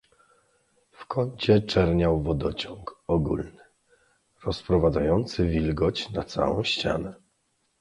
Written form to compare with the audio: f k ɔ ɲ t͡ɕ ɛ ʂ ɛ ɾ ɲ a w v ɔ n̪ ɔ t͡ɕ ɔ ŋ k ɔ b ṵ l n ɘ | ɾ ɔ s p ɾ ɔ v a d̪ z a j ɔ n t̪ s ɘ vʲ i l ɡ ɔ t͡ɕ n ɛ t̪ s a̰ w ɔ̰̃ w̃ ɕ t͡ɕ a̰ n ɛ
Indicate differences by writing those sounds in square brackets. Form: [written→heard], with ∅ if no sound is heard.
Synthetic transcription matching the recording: f k ɔ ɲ t͡ɕ ɛ [ʂ→t͡ʂ] ɛ ɾ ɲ a w v ɔ [n̪→d̪] ɔ t͡ɕ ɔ ŋ k ɔ [b→ɡ] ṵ l n ɘ | ɾ ɔ s p ɾ ɔ v a d̪ z a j ɔ n t̪ s ɘ vʲ i l ɡ ɔ t͡ɕ n [ɛ→a] t̪ s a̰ w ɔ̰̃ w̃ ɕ t͡ɕ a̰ n ɛ

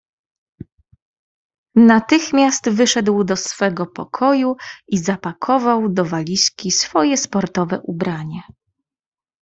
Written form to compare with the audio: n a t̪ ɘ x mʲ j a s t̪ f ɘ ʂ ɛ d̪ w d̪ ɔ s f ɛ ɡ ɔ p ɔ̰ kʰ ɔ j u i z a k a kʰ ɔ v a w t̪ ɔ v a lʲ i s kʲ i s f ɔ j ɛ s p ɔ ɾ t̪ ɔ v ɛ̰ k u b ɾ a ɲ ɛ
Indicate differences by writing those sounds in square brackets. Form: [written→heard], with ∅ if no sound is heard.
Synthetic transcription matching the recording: n a t̪ ɘ x mʲ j a s t̪ [f→v] ɘ ʂ ɛ d̪ w d̪ ɔ s f ɛ ɡ ɔ p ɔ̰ kʰ ɔ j u i z a [k→p] a kʰ ɔ v a w [t̪→d̪] ɔ v a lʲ i s kʲ i s f ɔ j ɛ s p ɔ ɾ t̪ ɔ v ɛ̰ [k→ʔ] u b ɾ a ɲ ɛ

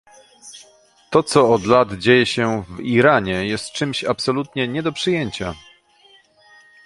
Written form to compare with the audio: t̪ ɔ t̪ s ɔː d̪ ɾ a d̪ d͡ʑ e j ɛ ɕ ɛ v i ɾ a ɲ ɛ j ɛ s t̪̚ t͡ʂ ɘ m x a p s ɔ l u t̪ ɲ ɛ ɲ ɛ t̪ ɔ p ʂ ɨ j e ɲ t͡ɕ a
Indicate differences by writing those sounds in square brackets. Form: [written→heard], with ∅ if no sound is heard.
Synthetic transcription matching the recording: t̪ ɔ t̪ s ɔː d̪ [ɾ→l] a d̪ d͡ʑ e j ɛ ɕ ɛ v i ɾ a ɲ ɛ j ɛ s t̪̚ t͡ʂ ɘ m [x→ɕ] a p s ɔ l u t̪ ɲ ɛ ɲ ɛ [t̪→d̪] ɔ p ʂ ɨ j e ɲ t͡ɕ a

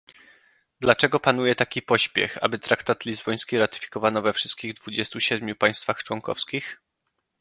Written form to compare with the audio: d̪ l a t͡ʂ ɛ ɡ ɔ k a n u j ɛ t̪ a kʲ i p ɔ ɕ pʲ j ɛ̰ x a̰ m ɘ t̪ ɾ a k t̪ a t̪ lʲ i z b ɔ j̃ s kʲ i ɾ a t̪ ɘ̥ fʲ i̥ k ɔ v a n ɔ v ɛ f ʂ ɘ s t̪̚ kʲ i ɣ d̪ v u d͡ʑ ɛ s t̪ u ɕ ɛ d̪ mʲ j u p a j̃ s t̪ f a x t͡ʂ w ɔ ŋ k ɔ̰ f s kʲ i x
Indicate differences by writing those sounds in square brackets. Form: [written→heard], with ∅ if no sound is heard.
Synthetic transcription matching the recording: d̪ l a t͡ʂ ɛ ɡ ɔ [k→p] a n u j ɛ t̪ a kʲ i p ɔ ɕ pʲ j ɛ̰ x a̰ [m→b] ɘ t̪ ɾ a k t̪ a t̪ lʲ i z b ɔ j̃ s kʲ i ɾ a t̪ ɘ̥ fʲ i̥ k ɔ v a n ɔ v ɛ f ʂ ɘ s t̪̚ kʲ i ɣ d̪ v u d͡ʑ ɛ s t̪ u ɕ ɛ d̪ mʲ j u p a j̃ s t̪ f a x t͡ʂ w ɔ ŋ k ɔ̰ f s kʲ i x

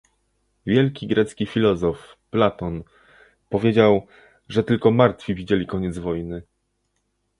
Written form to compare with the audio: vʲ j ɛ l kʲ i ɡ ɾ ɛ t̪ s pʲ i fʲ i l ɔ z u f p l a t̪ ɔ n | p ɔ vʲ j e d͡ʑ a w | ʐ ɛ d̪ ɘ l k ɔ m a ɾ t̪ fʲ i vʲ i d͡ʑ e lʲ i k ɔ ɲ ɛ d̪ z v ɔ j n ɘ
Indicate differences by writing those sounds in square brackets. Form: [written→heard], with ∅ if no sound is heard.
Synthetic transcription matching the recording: vʲ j ɛ l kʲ i ɡ ɾ ɛ t̪ s [pʲ→kʲ] i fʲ i l ɔ z [u→ɔ] f p l a t̪ ɔ n | p ɔ vʲ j e d͡ʑ a w | ʐ ɛ [d̪→t̪] ɘ l k ɔ m a ɾ t̪ fʲ i vʲ i d͡ʑ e lʲ i k ɔ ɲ ɛ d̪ z v ɔ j n ɘ

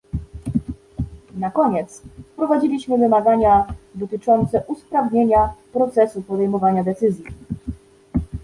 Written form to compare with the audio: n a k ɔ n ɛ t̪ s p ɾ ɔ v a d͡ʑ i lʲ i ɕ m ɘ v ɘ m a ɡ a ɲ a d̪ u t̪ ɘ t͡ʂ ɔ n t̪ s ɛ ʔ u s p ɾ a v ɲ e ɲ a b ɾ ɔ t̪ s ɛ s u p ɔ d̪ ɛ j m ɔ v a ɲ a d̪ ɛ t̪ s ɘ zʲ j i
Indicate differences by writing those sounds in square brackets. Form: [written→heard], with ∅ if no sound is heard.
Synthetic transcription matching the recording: n a k ɔ [n→ɲ] ɛ t̪ s p ɾ ɔ v a d͡ʑ i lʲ i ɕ m ɘ v ɘ m a ɡ a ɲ a d̪ [u→ɔ] t̪ ɘ t͡ʂ ɔ n t̪ s ɛ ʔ u s p ɾ a v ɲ e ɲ a [b→p] ɾ ɔ t̪ s ɛ s u p ɔ d̪ ɛ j m ɔ v a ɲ a d̪ ɛ t̪ s ɘ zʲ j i

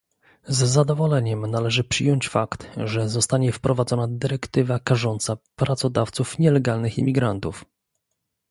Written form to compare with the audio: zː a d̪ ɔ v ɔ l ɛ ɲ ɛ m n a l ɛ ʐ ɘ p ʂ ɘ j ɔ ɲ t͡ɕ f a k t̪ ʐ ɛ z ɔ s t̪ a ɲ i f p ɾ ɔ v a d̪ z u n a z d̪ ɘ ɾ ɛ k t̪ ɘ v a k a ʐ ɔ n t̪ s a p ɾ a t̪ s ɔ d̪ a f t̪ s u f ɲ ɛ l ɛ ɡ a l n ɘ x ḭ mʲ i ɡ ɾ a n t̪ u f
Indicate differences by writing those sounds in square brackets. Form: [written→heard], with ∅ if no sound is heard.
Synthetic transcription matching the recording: zː a d̪ ɔ v ɔ l ɛ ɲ ɛ m n a l ɛ ʐ ɘ p ʂ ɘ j ɔ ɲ t͡ɕ f a k t̪ ʐ ɛ z ɔ s t̪ a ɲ [i→ɛ] f p ɾ ɔ v a d̪ z [u→ɔ] n a [z→∅] d̪ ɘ ɾ ɛ k t̪ ɘ v a k a ʐ ɔ n t̪ s a p ɾ a t̪ s ɔ d̪ a f t̪ s u f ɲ ɛ l ɛ ɡ a l n ɘ x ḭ mʲ i ɡ ɾ a n t̪ u f

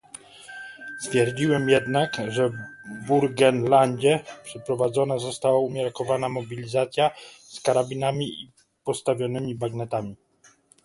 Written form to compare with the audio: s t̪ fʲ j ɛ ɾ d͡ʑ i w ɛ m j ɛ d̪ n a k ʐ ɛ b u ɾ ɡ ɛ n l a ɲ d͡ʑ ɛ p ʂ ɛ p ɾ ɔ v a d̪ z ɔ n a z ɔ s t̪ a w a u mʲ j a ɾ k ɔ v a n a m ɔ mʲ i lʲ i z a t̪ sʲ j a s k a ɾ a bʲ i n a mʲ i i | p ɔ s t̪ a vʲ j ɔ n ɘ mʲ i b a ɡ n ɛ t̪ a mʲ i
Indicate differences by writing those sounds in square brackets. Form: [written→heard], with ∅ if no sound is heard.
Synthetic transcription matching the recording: s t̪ fʲ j ɛ ɾ d͡ʑ i w ɛ m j ɛ d̪ n a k ʐ ɛ b u ɾ ɡ ɛ n l a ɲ d͡ʑ ɛ p ʂ ɛ p ɾ ɔ v a d̪ z ɔ n a z ɔ s t̪ a w a u mʲ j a ɾ k ɔ v a n a m ɔ [mʲ→bʲ] i lʲ i z a t̪ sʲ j a s k a ɾ a bʲ i n a mʲ i i | p ɔ s t̪ a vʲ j ɔ n ɘ mʲ i b a ɡ n ɛ t̪ a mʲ i

